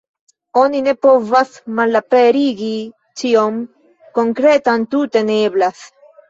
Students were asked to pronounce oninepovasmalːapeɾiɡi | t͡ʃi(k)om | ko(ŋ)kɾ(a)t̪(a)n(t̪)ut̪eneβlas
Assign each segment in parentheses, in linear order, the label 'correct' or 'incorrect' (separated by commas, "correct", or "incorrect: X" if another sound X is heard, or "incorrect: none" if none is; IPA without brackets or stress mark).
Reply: incorrect: none, correct, incorrect: e, correct, correct